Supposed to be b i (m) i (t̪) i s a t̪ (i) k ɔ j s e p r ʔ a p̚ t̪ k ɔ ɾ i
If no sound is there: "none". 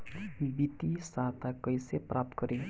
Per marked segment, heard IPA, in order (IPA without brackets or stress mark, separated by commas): b, t̪, a